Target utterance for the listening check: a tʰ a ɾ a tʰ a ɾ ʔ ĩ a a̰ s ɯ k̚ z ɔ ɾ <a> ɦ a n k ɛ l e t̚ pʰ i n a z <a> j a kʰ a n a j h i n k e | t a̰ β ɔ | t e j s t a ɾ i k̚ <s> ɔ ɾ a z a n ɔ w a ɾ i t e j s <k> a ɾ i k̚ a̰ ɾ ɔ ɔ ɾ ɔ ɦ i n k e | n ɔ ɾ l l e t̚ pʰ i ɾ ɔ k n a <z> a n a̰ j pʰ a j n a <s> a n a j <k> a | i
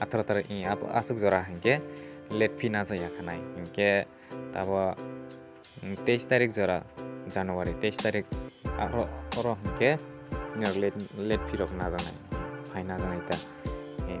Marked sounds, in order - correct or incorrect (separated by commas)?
correct, correct, incorrect, incorrect, correct, incorrect, incorrect